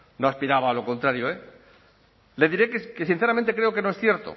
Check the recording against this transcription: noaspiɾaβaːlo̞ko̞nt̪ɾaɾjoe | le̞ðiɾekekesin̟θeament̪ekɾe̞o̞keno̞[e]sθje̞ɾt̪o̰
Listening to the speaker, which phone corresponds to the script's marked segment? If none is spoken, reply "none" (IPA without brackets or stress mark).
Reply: e